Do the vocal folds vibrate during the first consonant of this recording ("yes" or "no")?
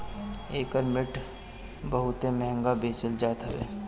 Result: no